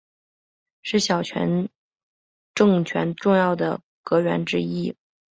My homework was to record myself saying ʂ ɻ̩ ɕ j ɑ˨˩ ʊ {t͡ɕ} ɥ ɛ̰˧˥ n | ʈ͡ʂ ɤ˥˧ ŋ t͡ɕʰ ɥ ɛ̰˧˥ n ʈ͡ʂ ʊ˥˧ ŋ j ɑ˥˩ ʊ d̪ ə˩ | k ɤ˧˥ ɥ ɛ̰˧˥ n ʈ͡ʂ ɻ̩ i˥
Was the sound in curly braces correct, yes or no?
no